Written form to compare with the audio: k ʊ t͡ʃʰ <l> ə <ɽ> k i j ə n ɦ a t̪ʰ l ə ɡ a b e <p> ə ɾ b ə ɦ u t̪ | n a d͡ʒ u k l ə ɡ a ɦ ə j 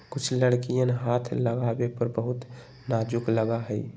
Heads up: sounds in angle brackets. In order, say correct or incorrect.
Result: correct, correct, correct

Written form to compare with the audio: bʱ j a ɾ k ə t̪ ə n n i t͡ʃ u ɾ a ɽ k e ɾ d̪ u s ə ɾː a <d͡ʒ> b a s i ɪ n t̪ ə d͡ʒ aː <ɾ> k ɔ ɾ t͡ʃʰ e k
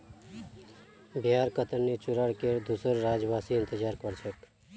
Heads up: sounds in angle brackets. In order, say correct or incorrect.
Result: correct, correct

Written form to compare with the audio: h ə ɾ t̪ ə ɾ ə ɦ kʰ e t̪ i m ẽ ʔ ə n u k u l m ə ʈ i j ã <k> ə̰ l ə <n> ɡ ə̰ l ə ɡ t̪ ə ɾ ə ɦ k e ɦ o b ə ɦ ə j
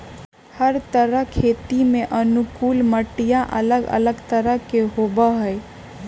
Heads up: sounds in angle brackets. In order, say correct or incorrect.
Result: incorrect: ʔ, incorrect: none

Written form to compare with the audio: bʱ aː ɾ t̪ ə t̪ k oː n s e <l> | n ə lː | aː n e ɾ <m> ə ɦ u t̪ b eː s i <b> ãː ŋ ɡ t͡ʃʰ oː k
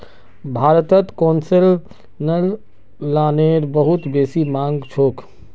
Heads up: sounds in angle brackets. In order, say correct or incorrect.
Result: correct, incorrect: b, incorrect: m

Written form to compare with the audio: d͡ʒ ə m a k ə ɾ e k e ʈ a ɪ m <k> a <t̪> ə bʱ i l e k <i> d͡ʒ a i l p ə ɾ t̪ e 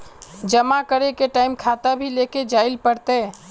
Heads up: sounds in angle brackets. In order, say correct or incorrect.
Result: incorrect: kʰ, correct, incorrect: e

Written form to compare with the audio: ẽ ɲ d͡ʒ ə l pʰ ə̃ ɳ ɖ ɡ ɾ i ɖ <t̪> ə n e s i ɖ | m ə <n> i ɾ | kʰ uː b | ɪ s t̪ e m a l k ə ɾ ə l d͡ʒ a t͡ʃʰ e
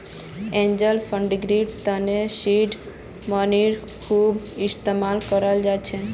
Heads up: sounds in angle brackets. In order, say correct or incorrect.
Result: correct, correct

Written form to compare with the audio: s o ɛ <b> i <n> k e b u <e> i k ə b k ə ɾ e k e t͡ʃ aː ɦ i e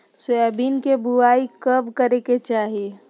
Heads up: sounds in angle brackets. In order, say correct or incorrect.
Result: correct, correct, incorrect: a

